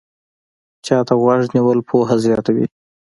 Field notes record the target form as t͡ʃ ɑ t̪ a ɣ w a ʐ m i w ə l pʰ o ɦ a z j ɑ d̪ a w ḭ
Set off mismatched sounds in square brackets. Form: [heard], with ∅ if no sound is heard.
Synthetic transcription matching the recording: t͡ʃ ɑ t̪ a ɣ w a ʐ [n] i w ə l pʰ o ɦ a z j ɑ [t̪] a w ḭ